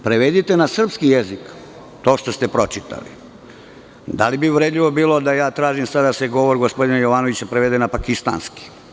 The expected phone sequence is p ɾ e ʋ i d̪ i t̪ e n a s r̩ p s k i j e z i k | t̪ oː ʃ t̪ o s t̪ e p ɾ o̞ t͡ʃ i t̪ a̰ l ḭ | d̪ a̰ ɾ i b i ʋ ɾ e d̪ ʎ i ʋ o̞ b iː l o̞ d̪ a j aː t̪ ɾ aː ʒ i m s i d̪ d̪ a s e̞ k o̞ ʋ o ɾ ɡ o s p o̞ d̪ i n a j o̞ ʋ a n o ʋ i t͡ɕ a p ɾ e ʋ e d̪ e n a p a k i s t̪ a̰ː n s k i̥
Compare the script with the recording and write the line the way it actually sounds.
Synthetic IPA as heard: p ɾ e ʋ e d̪ i t̪ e n a s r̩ p s k i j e z i k | t̪ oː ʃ t̪ o s t̪ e p ɾ o̞ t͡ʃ i t̪ a̰ l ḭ | d̪ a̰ l i b i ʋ ɾ e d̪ ʎ i ʋ o̞ b iː l o̞ d̪ a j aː t̪ ɾ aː ʒ i m s a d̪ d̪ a s e̞ ɡ o̞ ʋ o ɾ ɡ o s p o̞ d̪ i n a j o̞ ʋ a n o ʋ i t͡ɕ a p ɾ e ʋ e d̪ e n a p a k i s t̪ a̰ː n s k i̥

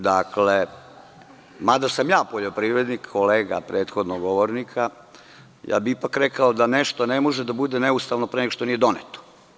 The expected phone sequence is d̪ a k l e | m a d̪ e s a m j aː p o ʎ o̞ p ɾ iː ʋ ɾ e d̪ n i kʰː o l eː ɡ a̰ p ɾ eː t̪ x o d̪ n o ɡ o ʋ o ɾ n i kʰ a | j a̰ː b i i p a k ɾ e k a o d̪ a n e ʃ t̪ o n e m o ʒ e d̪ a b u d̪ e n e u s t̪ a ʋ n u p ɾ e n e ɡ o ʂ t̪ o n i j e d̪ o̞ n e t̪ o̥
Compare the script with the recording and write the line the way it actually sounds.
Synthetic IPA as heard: d̪ a k l e | m a d̪ a s a m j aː p o ʎ o̞ p ɾ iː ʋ ɾ e d̪ n i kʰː o l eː ɡ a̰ p ɾ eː t̪ x o d̪ n o ɡ o ʋ o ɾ n i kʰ a | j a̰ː b i i p a k ɾ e k a o d̪ a n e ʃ t̪ o n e m o ʒ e d̪ a b u d̪ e n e u s t̪ a ʋ n o p ɾ e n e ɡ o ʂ t̪ o n i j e d̪ o̞ n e t̪ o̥

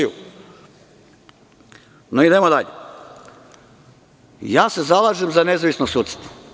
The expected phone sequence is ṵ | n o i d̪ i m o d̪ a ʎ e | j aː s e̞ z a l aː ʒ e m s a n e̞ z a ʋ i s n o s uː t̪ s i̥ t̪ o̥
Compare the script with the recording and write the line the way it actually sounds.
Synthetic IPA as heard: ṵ | n o i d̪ e m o d̪ a ʎ e | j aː s e̞ z a l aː ʒ e m z a n e̞ z a ʋ i s n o s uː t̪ s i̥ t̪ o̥

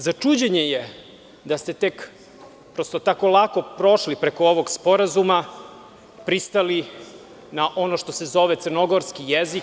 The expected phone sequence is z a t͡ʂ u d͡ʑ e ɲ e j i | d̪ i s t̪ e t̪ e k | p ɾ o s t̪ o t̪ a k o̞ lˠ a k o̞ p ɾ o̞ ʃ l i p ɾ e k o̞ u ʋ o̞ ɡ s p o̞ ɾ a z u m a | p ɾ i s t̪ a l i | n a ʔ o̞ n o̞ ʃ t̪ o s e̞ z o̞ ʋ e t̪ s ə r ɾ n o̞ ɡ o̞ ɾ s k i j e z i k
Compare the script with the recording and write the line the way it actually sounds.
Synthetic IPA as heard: z a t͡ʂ u d͡ʑ e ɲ e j e | d̪ a s t̪ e t̪ e k | p ɾ o s t̪ o t̪ a k o̞ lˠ a k o̞ p ɾ o̞ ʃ l i p ɾ e k o̞ o ʋ o̞ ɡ s p o̞ ɾ a z u m a | p ɾ i s t̪ a l i | n a ʔ o̞ n o̞ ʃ t̪ o s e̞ z o̞ ʋ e t̪ s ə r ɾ n o̞ ɡ o̞ ɾ s k i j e z i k

